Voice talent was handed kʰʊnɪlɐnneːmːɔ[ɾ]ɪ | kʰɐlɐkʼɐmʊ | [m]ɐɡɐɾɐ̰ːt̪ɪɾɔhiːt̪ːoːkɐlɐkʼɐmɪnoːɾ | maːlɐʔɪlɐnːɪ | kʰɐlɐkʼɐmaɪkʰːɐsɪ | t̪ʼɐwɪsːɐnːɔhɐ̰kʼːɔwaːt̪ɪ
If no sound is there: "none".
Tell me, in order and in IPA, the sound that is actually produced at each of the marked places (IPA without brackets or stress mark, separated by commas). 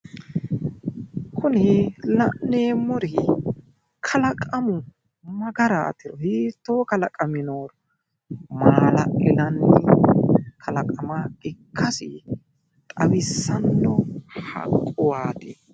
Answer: ɾ, m